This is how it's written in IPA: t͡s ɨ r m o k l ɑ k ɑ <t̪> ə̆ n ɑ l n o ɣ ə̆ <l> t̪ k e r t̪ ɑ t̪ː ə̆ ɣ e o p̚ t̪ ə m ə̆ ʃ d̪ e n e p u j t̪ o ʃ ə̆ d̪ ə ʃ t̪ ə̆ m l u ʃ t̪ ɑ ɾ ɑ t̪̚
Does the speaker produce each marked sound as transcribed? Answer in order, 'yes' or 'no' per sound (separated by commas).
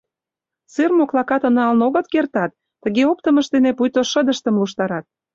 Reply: yes, no